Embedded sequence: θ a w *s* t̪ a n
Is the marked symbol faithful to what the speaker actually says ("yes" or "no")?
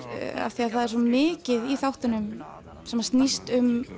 no